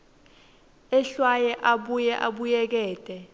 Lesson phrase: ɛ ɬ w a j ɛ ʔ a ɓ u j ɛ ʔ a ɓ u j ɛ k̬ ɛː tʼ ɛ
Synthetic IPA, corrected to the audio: ɛ ɬ w a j ɛ ʔ a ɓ u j ɛ ʔ a ɓ u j ɛ k̬ ɛː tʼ ɛ